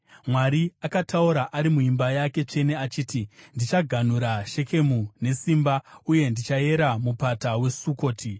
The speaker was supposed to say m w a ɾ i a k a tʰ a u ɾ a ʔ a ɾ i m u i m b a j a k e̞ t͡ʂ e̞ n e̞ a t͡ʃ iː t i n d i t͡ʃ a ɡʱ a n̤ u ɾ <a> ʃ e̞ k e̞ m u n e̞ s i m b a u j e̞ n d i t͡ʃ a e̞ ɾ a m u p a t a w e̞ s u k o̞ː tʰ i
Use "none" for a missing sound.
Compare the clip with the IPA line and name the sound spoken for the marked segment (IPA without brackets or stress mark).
a